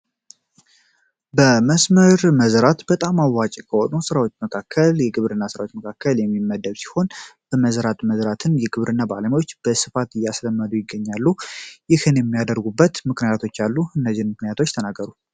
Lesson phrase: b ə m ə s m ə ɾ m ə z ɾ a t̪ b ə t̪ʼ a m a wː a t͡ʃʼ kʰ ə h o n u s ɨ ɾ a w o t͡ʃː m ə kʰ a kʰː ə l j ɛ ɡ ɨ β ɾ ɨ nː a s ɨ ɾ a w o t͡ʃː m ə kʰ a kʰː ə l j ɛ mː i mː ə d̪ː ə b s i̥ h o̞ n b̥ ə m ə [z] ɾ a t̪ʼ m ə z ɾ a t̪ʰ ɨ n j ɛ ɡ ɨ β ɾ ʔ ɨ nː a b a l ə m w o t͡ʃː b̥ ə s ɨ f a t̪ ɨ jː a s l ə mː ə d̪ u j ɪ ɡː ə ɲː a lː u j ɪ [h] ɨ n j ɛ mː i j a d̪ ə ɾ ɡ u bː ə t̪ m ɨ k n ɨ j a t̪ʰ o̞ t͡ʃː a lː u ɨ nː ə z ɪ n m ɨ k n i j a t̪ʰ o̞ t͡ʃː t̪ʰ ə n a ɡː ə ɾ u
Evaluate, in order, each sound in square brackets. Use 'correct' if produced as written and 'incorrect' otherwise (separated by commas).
correct, correct